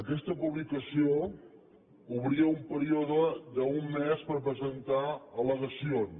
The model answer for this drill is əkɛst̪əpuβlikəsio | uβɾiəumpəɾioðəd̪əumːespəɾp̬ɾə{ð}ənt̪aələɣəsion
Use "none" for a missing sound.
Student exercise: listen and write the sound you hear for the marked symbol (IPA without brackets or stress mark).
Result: z